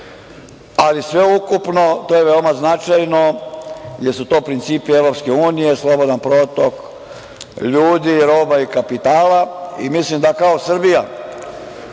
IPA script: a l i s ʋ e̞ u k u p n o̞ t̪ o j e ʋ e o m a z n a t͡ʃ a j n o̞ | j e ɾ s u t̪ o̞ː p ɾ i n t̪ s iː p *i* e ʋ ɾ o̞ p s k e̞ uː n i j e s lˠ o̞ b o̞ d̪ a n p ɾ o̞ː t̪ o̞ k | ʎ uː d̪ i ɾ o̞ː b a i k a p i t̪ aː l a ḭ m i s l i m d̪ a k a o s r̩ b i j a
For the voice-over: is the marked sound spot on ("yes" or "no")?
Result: yes